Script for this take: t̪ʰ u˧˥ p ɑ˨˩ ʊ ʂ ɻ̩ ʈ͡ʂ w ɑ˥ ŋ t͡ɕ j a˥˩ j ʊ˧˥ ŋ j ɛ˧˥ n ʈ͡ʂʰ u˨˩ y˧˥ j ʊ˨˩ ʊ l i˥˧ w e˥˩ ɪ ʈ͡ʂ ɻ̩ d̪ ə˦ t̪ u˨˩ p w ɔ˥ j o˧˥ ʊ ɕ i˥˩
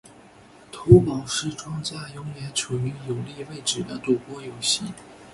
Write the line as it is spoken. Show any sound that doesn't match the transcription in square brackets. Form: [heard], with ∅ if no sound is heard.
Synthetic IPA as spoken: t̪ʰ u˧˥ p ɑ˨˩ ʊ ʂ ɻ̩ ʈ͡ʂ w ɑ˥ ŋ t͡ɕ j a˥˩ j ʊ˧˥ ŋ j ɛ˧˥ n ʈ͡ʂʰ u˨˩ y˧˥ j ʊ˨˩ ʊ l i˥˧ w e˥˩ ɪ ʈ͡ʂ ɻ̩ d̪ ə˦ t̪ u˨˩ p w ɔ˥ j [o˨˩] ʊ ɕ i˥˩